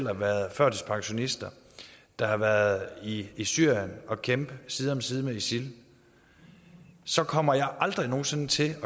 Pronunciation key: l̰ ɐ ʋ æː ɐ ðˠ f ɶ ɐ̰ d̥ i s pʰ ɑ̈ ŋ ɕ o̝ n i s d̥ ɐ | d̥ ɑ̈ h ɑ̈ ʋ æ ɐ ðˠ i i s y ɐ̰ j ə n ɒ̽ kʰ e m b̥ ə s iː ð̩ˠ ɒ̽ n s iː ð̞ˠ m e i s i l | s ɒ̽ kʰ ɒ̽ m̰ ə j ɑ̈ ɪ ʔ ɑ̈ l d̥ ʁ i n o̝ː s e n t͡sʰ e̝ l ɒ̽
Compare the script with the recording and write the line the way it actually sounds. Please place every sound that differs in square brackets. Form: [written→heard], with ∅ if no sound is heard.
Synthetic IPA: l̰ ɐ ʋ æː ɐ ðˠ f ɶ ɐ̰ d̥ i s pʰ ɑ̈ ŋ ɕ o̝ n i s d̥ ɐ | d̥ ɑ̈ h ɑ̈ ʋ æ ɐ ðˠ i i s y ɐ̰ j ə n ɒ̽ kʰ e m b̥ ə s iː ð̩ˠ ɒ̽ [n→m] s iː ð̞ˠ m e i s i l | s ɒ̽ kʰ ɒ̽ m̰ [ə→ɐ] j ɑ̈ ɪ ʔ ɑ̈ l d̥ ʁ i n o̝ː s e n t͡sʰ e̝ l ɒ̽

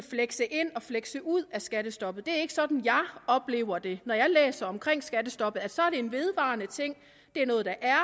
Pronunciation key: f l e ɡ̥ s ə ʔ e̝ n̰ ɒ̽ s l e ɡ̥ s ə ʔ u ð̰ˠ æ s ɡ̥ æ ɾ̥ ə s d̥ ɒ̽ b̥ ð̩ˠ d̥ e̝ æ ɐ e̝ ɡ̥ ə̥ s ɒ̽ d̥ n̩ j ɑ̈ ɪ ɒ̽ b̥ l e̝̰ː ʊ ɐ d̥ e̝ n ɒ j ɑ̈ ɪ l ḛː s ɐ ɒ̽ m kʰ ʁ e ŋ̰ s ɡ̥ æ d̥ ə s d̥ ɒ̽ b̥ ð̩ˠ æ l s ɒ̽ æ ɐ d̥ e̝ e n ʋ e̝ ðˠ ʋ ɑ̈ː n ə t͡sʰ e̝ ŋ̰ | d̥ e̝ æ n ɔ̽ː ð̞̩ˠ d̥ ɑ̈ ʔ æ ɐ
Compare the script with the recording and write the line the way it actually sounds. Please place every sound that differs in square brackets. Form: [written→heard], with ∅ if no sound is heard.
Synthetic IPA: f l e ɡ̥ s ə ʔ e̝ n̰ ɒ̽ [s→f] l e ɡ̥ s ə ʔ u ð̰ˠ æ s ɡ̥ æ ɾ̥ ə s d̥ ɒ̽ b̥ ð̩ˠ d̥ e̝ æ ɐ e̝ ɡ̥ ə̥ s ɒ̽ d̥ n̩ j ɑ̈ ɪ ɒ̽ b̥ l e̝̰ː ʊ ɐ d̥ e̝ n ɒ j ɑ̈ ɪ l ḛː s ɐ ɒ̽ m kʰ ʁ e ŋ̰ s ɡ̥ æ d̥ ə s d̥ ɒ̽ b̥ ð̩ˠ æ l s ɒ̽ æ ɐ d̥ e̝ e n ʋ e̝ ðˠ ʋ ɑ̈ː n ə t͡sʰ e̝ ŋ̰ | d̥ e̝ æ n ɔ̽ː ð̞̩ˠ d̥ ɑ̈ ʔ æ ɐ

